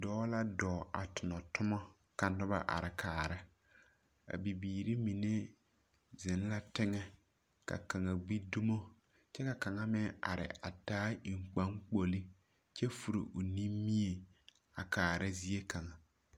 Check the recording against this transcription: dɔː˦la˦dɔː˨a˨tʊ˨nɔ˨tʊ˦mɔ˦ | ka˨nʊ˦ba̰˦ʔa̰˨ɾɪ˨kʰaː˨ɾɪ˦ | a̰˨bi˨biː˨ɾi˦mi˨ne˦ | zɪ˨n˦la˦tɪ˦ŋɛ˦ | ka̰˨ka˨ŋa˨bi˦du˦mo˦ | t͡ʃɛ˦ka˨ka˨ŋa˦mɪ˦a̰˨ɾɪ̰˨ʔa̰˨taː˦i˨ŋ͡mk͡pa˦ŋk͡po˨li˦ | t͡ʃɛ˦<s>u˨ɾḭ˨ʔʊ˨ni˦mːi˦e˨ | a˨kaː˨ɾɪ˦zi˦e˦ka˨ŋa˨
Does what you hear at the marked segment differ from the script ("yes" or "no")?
yes